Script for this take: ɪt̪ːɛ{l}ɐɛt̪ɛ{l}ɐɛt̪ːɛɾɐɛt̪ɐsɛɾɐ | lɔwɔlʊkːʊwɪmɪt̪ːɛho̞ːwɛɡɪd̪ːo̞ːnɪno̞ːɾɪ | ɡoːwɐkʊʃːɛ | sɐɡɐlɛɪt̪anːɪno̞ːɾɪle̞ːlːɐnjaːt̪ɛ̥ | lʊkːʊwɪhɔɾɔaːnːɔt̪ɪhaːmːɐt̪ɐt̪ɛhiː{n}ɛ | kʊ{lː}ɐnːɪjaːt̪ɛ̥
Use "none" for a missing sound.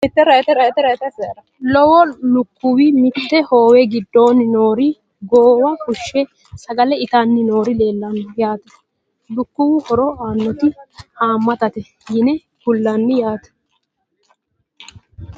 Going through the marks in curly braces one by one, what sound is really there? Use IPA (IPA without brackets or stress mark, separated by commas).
ɾ, ɾ, n, lː